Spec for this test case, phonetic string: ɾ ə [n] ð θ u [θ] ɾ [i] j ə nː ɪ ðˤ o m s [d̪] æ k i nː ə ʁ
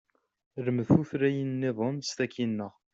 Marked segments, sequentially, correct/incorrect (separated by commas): incorrect, correct, incorrect, incorrect